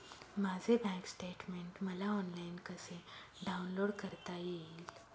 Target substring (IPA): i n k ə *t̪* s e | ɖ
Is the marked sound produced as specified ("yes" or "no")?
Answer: no